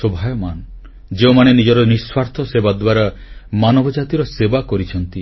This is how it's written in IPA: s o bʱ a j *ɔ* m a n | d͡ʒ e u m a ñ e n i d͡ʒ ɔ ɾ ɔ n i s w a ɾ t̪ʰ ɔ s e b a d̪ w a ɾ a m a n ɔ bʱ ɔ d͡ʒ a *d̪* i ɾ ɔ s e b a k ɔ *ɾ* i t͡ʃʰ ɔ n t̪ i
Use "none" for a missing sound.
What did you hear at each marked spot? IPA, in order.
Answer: ɔ, t̪, ɾ

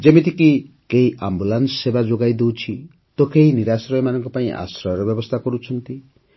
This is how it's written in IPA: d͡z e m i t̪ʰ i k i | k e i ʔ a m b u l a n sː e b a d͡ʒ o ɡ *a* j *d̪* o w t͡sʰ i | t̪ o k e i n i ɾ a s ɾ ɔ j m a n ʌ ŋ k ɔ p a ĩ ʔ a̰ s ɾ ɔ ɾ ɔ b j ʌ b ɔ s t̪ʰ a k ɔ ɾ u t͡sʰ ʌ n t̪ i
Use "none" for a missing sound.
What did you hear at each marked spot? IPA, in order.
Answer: a, d̪

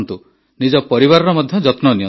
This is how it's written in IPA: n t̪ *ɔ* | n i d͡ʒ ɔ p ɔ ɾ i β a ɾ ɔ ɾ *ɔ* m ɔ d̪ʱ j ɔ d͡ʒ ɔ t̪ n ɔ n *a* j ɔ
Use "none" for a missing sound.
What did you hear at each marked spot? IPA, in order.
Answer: u, ɔ, i

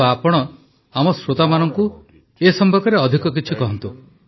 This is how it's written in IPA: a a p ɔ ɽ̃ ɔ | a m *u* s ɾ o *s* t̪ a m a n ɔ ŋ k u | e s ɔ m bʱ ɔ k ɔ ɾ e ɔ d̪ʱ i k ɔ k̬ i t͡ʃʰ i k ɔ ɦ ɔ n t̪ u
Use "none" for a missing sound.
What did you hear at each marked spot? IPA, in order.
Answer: ɔ, none

